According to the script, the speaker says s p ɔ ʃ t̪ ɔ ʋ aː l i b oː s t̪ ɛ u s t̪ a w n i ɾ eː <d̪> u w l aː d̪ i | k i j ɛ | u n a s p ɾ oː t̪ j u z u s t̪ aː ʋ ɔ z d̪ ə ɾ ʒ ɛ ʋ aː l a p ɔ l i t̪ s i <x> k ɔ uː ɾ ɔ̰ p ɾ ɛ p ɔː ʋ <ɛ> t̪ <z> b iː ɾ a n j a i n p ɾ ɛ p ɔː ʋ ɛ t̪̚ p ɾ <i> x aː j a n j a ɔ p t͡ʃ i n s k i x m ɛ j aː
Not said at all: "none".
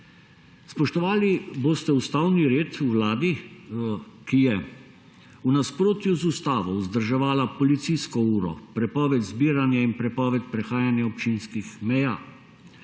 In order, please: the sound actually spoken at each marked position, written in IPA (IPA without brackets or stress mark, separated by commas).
t̪, s, ɛ, z, ɛ